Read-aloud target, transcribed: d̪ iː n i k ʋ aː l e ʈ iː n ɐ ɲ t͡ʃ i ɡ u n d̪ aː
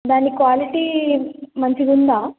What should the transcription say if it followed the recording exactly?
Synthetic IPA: d̪ aː n i k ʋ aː l i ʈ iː m ɐ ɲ t͡ʃ i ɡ u n d̪ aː